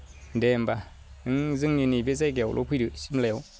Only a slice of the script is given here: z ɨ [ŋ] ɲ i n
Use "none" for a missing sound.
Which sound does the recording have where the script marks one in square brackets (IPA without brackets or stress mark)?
ŋ